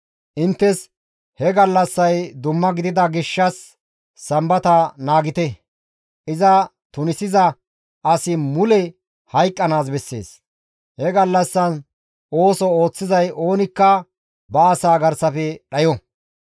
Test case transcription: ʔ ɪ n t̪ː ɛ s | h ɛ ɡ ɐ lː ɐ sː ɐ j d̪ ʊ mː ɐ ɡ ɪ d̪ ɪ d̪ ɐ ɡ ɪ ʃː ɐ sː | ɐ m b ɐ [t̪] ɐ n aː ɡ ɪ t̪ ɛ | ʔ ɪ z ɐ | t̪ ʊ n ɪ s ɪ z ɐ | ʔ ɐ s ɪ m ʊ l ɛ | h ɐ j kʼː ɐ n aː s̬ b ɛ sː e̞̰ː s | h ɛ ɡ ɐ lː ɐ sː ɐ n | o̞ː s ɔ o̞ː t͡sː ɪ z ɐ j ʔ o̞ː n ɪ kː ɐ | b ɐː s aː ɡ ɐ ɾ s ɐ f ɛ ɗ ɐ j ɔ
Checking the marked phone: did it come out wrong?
no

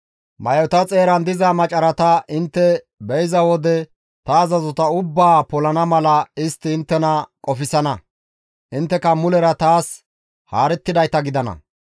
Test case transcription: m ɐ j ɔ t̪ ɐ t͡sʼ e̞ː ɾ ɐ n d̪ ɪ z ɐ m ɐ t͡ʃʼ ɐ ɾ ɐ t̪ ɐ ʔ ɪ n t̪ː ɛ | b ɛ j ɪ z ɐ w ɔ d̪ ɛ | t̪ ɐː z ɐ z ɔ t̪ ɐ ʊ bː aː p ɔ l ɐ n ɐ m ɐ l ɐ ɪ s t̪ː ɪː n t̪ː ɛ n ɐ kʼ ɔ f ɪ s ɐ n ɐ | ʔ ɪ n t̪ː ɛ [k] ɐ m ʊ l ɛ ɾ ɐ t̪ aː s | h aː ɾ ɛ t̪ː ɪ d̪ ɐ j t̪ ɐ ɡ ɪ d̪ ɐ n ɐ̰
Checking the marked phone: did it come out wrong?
no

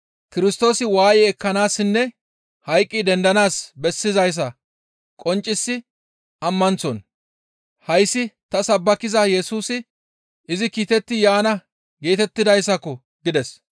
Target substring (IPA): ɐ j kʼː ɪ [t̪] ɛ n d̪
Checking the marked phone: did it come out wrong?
yes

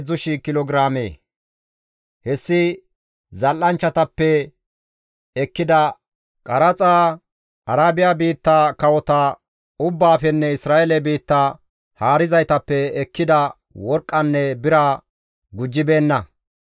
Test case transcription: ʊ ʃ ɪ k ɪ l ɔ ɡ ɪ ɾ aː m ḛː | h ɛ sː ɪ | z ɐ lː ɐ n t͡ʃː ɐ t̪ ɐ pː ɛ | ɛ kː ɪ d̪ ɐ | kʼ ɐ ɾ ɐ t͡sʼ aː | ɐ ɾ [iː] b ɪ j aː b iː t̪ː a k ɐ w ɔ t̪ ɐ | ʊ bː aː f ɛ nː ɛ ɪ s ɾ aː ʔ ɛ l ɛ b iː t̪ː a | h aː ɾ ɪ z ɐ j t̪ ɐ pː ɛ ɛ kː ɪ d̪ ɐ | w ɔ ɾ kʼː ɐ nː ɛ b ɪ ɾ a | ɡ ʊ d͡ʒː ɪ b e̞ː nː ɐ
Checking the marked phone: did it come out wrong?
yes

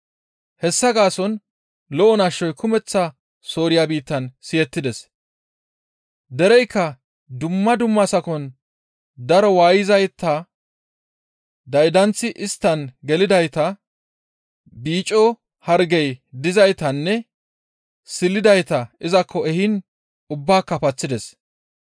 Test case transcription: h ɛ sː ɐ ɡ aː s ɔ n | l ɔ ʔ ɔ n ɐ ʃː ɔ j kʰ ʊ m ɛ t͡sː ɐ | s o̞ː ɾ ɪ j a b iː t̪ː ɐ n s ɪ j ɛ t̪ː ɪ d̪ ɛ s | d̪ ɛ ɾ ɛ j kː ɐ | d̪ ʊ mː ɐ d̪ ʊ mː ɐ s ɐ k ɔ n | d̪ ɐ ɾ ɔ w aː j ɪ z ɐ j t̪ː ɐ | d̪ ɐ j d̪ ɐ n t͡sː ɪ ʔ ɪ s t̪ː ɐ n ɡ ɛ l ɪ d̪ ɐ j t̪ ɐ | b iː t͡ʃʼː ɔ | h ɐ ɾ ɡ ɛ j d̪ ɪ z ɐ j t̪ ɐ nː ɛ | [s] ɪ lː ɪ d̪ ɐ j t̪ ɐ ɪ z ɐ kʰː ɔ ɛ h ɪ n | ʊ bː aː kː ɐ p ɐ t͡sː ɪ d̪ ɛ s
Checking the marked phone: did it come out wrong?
no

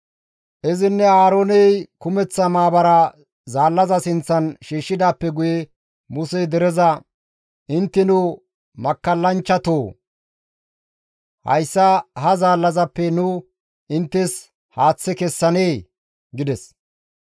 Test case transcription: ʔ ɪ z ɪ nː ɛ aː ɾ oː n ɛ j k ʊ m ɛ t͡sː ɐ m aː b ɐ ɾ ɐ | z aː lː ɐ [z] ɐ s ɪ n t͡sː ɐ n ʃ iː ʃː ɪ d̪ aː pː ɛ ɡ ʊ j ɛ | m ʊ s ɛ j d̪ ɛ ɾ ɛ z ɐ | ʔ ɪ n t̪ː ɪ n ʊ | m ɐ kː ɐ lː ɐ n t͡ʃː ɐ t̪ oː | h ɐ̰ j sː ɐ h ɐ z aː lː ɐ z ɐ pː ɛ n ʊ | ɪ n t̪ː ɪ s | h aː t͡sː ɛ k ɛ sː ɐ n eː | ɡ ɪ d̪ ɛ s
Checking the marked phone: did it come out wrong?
no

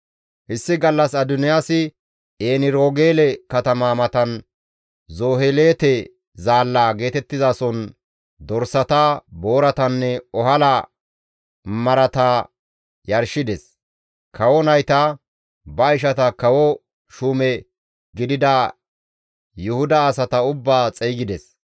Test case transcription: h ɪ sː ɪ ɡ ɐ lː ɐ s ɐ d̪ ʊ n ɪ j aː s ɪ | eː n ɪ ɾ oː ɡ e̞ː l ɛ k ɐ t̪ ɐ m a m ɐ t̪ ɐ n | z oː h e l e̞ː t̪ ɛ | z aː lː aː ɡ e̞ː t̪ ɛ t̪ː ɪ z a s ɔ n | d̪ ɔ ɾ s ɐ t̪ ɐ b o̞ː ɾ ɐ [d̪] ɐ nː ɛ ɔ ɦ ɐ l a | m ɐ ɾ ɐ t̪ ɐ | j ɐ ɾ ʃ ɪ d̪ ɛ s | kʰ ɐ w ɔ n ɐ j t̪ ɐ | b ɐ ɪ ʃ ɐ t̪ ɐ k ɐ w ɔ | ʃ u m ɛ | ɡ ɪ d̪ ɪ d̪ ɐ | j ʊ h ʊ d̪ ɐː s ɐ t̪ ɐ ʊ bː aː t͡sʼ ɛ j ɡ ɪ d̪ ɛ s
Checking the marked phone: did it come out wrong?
yes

